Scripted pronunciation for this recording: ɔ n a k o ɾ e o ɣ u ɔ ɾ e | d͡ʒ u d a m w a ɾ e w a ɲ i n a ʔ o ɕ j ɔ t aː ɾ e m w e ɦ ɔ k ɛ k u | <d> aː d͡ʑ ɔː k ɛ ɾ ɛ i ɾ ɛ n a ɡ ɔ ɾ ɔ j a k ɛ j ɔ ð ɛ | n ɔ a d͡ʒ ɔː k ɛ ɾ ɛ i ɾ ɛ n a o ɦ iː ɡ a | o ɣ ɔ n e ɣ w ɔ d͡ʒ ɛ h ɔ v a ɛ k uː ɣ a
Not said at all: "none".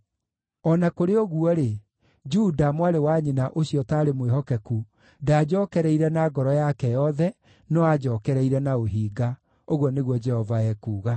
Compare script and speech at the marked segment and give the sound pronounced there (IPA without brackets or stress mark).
d